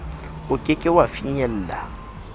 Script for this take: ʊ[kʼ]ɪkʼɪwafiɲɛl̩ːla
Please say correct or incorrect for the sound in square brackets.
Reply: correct